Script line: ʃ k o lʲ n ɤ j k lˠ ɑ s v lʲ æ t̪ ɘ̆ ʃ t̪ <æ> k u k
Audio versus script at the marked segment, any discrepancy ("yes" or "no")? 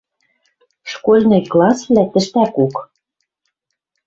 no